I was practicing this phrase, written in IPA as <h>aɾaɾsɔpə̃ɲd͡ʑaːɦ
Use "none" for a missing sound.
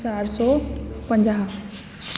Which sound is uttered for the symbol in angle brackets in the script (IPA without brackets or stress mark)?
s